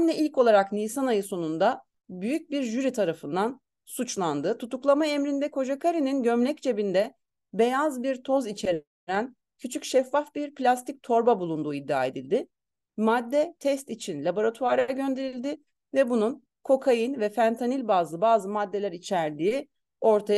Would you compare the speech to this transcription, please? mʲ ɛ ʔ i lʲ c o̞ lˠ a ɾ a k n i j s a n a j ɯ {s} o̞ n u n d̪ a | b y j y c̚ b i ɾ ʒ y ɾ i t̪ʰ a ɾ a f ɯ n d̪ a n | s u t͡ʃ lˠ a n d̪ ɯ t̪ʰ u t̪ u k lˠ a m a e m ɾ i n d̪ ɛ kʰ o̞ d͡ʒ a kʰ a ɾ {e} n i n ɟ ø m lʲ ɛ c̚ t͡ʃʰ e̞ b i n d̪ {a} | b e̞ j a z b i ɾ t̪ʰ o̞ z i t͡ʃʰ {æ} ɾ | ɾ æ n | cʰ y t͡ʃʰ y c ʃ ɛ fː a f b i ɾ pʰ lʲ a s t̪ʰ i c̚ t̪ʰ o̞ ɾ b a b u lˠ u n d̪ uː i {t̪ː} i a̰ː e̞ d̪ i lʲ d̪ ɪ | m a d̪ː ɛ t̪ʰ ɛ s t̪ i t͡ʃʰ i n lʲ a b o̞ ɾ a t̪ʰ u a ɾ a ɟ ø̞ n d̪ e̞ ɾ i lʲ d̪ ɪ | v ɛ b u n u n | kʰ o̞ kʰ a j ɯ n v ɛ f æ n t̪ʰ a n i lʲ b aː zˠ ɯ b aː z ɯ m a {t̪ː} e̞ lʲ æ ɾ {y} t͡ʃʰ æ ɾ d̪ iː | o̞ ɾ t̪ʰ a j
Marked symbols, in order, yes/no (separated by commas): yes, no, no, no, no, no, no